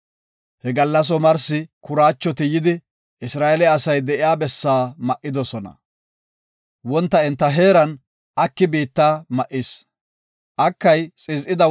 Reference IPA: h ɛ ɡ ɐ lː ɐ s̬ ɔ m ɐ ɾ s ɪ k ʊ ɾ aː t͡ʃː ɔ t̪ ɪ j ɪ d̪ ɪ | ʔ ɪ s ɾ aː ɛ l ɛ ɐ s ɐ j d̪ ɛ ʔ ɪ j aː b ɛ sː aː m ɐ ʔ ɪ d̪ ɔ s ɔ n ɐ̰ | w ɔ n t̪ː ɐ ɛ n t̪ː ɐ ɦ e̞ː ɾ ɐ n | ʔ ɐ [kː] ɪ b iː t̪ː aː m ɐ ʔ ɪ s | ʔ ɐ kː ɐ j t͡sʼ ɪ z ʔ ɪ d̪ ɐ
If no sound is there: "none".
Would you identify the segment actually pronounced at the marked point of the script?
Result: kː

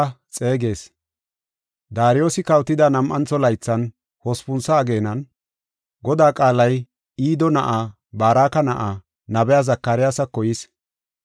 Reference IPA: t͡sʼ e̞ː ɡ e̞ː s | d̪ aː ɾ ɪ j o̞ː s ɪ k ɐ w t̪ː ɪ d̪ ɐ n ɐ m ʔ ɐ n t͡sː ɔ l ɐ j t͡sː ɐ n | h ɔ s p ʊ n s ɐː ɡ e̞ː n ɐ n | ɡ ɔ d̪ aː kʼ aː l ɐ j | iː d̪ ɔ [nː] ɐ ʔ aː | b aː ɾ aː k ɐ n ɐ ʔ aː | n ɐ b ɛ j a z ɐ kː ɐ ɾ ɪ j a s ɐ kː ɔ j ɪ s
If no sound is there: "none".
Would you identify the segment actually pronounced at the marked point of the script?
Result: n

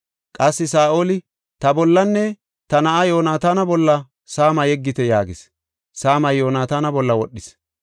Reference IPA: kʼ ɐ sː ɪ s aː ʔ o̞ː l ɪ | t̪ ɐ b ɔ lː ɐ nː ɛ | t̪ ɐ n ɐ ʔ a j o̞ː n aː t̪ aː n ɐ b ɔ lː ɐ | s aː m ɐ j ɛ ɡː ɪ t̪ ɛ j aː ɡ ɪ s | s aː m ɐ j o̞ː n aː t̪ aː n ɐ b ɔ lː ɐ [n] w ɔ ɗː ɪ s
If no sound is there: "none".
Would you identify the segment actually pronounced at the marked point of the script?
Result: none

